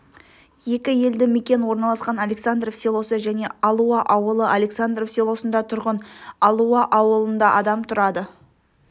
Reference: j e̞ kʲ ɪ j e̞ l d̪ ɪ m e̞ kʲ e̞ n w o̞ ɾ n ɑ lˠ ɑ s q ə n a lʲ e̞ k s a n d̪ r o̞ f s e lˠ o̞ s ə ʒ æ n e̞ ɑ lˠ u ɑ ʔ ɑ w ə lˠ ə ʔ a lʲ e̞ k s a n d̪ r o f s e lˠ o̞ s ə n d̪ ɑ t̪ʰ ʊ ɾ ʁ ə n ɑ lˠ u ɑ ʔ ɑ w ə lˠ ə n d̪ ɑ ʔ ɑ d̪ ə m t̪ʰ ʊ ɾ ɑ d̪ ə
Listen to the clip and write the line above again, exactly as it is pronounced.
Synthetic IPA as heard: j e̞ kʲ ɪ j e̞ l d̪ ɪ m e̞ kʲ e̞ n w o̞ ɾ n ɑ lˠ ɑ s q ɑ n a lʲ e̞ k s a n d̪ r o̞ f s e lˠ o̞ s ə ʒ æ n e̞ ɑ lˠ u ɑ ʔ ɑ w ə lˠ ə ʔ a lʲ e̞ k s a n d̪ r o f s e lˠ o̞ s ə n d̪ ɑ t̪ʰ ʊ ɾ ʁ ə n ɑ lˠ u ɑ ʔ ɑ w ə lˠ ə n d̪ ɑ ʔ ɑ d̪ ɑ m t̪ʰ ʊ ɾ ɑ d̪ ə